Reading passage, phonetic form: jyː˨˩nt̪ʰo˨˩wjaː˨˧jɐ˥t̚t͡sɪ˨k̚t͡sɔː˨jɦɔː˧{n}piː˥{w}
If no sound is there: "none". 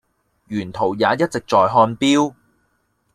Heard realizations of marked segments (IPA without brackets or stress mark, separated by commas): n, w